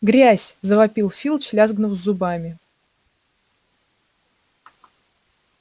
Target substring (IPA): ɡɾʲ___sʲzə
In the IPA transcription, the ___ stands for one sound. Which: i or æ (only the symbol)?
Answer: æ